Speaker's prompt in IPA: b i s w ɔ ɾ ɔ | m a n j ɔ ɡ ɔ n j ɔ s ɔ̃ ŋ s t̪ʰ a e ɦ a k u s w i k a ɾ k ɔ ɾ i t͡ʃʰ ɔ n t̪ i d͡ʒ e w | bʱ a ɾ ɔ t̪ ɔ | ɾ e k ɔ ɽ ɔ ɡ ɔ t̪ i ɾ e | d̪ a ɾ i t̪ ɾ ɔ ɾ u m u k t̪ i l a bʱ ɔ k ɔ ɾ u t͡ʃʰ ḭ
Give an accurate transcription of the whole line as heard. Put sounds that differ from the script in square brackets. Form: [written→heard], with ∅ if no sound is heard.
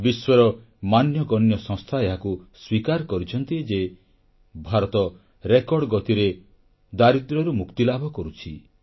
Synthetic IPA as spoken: b i s w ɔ ɾ ɔ | m a n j ɔ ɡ ɔ n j ɔ s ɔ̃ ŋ s t̪ʰ a e ɦ a k u s w i k a ɾ k ɔ ɾ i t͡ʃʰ ɔ n t̪ i d͡ʒ e [w→∅] | bʱ a ɾ ɔ t̪ ɔ | ɾ e k ɔ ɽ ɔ ɡ ɔ t̪ i ɾ e | d̪ a ɾ i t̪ ɾ ɔ ɾ u m u k t̪ i l a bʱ ɔ k ɔ ɾ u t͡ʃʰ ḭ